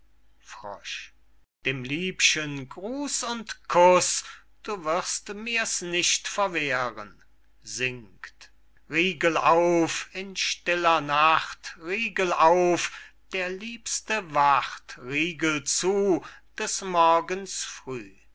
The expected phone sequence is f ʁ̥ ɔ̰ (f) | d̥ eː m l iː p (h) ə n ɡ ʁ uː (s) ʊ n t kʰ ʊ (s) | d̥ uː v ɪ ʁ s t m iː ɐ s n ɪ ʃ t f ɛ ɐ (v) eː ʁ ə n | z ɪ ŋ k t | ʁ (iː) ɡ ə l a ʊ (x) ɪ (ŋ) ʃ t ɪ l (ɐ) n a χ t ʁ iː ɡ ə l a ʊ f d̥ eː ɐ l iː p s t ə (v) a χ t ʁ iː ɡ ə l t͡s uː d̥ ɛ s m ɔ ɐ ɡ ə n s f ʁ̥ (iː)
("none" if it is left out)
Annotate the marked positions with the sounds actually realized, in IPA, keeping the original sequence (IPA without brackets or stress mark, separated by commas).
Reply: ʃ, ʃ, s, s, v, iː, f, n, ɐ, v, yː